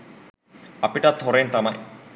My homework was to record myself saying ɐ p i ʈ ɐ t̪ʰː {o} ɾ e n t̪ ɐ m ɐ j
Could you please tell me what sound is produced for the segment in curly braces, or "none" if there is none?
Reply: o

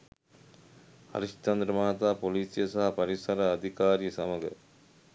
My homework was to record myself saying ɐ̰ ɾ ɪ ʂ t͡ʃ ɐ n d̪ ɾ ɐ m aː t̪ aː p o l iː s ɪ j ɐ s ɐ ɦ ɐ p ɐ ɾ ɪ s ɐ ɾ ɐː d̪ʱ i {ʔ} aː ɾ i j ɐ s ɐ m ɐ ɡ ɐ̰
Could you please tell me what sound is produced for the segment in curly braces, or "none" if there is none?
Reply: k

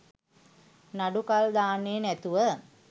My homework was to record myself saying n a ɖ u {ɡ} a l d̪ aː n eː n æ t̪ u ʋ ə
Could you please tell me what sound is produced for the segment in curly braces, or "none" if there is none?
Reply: k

